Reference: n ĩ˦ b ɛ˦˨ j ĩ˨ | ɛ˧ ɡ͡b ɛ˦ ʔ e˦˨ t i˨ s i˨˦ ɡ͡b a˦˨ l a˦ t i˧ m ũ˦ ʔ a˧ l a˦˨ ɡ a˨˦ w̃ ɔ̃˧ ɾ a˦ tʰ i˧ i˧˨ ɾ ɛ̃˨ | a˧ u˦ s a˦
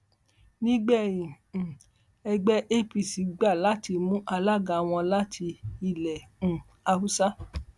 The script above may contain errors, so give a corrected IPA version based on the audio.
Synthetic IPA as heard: n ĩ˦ ɡ͡b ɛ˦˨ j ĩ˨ | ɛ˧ ɡ͡b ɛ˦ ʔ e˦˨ p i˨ s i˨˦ ɡ͡b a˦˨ l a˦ t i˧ m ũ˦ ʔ a˧ l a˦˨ ɡ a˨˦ w̃ ɔ̃˧ l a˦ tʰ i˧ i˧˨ l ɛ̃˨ | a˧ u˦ s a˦

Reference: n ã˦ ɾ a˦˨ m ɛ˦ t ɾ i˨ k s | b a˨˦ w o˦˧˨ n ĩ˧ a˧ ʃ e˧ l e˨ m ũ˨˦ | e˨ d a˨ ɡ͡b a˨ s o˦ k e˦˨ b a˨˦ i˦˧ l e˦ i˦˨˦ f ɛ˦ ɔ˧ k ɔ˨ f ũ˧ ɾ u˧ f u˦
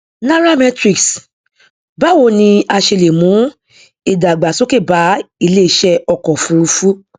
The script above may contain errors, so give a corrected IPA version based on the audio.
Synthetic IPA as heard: n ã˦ ɾ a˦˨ m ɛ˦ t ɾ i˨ k s | b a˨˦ w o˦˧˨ n ĩ˧ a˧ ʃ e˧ l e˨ m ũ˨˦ | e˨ d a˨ ɡ͡b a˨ s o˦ k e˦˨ b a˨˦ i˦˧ l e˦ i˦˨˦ ʃ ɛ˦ ɔ˧ k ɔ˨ f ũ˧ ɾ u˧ f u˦

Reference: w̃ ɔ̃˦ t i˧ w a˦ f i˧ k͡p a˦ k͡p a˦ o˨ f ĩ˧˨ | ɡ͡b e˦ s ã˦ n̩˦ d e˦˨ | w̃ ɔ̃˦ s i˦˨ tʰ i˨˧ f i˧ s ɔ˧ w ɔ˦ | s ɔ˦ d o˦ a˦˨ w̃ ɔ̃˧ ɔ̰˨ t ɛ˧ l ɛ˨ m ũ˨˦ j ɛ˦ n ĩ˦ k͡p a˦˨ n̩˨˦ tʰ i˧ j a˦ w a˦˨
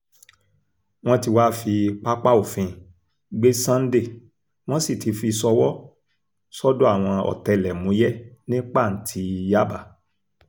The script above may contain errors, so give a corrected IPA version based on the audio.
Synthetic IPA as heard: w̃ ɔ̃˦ t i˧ w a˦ f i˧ k͡p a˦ k͡p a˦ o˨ f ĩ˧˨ | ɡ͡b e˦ s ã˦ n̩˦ d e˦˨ | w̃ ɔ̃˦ s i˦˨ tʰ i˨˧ f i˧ s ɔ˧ w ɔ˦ | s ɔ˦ d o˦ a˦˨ w̃ ɔ̃˧ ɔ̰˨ t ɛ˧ l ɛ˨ m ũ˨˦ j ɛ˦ n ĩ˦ k͡p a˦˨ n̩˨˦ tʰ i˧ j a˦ b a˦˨

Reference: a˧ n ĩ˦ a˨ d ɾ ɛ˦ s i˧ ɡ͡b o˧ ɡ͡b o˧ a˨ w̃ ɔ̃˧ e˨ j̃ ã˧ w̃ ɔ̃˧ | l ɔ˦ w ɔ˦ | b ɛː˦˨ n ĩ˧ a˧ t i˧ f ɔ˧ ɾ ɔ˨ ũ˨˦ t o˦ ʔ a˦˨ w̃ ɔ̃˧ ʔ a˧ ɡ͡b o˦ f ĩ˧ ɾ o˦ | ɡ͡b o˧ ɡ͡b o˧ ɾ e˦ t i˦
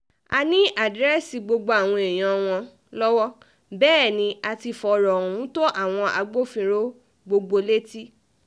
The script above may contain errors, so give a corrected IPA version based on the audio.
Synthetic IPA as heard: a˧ n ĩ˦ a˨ d ɾ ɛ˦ s i˧ ɡ͡b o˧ ɡ͡b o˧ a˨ w̃ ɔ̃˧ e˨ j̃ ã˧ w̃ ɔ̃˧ | l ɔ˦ w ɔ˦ | b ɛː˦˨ n ĩ˧ a˧ t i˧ f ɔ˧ ɾ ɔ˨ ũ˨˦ t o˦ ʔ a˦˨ w̃ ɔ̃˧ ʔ a˧ ɡ͡b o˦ f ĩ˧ ɾ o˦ | ɡ͡b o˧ ɡ͡b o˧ l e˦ t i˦

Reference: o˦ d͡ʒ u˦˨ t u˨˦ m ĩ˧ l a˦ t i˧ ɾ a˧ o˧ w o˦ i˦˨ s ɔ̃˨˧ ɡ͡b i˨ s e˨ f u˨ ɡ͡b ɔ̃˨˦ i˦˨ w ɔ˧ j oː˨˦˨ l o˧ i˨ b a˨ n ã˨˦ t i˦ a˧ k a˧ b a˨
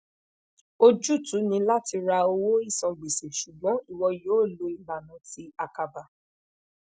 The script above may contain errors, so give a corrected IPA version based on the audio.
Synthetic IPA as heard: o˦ d͡ʒ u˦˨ t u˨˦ n ĩ˧ l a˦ t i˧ ɾ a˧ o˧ w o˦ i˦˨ s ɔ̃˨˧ ɡ͡b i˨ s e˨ ʃ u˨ ɡ͡b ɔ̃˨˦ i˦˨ w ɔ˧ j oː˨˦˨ l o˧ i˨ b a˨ n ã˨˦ t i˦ a˧ k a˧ b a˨

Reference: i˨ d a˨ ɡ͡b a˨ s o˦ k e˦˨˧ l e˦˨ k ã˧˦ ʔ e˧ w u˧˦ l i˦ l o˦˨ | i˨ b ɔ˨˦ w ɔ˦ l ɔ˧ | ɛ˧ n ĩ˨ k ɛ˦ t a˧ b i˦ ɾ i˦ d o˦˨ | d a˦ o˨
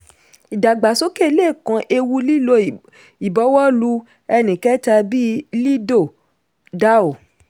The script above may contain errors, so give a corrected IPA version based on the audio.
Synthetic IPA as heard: i˨ d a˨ ɡ͡b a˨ s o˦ k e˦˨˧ l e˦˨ k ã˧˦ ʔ e˧ w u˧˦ l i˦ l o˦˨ | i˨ b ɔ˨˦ w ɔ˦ l u˧ | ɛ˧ n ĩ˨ k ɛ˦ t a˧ b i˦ l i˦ d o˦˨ | d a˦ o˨

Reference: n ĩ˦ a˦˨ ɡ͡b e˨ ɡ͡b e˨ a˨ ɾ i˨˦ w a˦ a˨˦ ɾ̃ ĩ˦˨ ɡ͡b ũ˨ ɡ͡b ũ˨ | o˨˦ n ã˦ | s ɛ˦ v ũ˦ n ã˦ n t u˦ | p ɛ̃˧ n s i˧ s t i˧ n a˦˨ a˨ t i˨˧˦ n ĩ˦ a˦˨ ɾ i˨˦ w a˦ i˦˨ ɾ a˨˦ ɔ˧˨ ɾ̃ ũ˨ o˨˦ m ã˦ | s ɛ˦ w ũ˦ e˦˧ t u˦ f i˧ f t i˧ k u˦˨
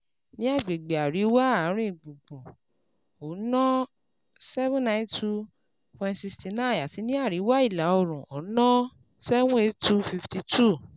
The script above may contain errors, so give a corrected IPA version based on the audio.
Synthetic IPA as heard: n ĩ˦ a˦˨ ɡ͡b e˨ ɡ͡b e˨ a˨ ɾ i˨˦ w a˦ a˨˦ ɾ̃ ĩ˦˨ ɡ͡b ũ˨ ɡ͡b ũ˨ | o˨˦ n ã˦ | s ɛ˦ v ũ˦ n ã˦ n t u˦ | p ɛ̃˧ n s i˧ s t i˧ n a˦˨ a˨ t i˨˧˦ n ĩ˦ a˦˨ ɾ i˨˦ w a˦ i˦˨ l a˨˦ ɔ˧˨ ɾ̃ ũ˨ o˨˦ n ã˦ | s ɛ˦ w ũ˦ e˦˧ t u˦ f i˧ f t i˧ t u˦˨

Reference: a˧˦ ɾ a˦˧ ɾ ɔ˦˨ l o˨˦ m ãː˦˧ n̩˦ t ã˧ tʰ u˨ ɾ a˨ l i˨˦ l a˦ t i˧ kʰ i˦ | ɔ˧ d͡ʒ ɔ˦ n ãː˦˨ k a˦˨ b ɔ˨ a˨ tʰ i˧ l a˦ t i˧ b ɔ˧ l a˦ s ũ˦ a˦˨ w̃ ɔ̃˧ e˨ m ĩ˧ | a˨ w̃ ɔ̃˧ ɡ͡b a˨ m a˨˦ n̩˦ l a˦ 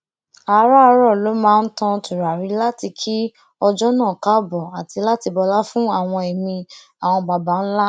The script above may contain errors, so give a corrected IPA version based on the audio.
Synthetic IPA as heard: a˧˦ ɾ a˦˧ ɾ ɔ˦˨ l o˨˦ m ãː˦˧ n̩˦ t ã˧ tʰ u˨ ɾ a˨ ɾ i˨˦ l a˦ t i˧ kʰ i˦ | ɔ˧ d͡ʒ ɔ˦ n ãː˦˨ k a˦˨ b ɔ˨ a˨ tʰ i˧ l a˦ t i˧ b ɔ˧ l a˦ f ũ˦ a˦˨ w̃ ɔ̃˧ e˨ m ĩ˧ | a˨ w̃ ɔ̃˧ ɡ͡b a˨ b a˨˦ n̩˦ l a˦

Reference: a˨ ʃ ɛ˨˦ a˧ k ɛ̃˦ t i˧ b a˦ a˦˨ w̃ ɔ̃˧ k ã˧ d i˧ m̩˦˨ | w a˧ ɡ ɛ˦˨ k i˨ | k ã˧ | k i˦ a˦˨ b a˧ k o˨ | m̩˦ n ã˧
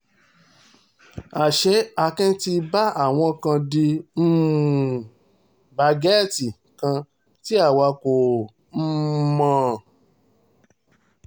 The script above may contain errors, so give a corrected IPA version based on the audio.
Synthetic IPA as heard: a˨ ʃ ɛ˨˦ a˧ k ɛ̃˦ t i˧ b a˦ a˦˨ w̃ ɔ̃˧ k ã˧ d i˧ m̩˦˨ | b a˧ ɡ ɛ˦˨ t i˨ | k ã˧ | t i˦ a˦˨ w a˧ k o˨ | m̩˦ m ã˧

